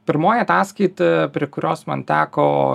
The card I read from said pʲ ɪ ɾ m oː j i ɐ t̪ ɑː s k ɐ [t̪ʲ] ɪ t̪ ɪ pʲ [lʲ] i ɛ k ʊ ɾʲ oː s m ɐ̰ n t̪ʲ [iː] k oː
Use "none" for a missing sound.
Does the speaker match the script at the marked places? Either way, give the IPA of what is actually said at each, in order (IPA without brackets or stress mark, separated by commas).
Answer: none, ɾʲ, æː